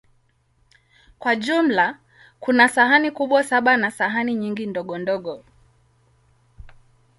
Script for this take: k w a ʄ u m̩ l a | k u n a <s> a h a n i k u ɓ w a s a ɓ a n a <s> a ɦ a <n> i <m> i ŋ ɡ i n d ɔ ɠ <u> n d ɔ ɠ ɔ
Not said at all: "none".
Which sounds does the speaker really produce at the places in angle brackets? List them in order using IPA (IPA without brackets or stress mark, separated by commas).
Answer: s, s, n, ɲ, ɔ